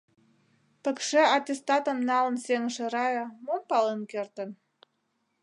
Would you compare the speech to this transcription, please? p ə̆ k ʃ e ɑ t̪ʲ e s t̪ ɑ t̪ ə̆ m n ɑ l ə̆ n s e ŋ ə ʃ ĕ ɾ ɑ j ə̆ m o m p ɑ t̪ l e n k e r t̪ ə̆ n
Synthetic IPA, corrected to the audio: p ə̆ k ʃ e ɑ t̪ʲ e s t̪ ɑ t̪ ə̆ m n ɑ l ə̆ n s e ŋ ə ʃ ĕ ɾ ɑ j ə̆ m o m p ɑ l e n k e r t̪ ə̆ n

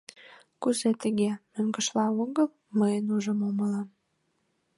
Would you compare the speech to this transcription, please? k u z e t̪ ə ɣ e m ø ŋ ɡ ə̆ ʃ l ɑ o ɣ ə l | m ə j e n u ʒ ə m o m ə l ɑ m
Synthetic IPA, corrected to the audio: k u z e t̪ ə ɣ e m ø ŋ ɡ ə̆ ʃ l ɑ o ɣ ə l | m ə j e n u ʒ ə m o m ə l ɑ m

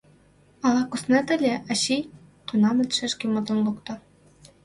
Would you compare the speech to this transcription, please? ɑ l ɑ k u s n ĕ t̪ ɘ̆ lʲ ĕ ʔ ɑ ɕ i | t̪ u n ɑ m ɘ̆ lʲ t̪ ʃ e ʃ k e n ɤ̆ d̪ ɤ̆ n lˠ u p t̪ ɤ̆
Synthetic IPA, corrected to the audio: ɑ l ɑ k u s n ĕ t̪ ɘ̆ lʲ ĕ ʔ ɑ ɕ i | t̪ u n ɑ m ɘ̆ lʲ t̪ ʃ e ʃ k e m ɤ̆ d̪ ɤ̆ n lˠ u k t̪ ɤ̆

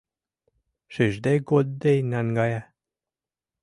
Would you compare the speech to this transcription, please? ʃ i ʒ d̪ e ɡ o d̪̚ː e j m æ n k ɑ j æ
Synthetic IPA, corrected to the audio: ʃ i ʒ d̪ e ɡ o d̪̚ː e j n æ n ɡ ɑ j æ

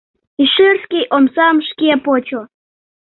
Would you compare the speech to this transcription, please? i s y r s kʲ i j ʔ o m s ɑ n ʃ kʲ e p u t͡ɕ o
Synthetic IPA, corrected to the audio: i ʃ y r s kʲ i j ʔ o m s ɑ m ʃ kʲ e p o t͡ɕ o

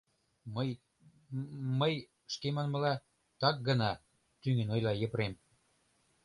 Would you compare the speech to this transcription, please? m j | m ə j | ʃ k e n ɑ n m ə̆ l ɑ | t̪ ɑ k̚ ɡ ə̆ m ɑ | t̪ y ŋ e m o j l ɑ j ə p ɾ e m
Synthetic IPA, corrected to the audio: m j | m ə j | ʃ k e m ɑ n m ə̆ l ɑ | t̪ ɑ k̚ ɡ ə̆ n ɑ | t̪ y ŋ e n o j l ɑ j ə p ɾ e m

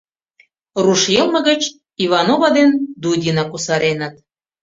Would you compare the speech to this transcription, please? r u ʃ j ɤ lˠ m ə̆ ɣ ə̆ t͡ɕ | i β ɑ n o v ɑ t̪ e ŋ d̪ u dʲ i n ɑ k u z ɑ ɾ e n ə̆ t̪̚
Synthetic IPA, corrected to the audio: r u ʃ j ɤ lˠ m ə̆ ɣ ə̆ t͡ɕ | i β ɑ n o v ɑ d̪ e n d̪ u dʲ i n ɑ k u s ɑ ɾ e n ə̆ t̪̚

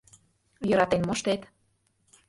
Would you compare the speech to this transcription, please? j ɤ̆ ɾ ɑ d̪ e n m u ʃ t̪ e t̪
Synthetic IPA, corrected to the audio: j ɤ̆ ɾ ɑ t̪ e n m o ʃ t̪ e t̪

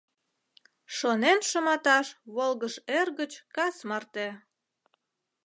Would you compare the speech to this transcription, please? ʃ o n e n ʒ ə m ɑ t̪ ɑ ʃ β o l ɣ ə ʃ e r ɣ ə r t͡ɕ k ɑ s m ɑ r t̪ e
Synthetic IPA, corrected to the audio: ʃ o n e n ʃ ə m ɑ t̪ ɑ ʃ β o l ɣ ə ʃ e r ɣ ə t͡ɕ k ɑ s m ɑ r t̪ e

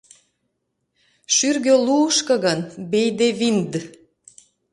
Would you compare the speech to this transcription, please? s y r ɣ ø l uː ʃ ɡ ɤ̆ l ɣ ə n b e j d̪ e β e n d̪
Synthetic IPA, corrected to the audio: ʃ y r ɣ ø l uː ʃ k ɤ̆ ɣ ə n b e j d̪ e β i n d̪

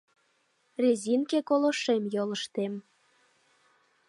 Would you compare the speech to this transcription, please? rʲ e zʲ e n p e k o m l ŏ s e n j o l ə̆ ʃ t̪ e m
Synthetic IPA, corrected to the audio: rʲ e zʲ i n k e k o l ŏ ʃ e m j o l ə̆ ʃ t̪ e m

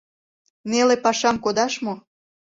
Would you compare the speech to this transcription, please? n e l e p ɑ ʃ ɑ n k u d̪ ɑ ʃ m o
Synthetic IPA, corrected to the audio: n e l e p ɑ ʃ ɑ m k o d̪ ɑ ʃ m o

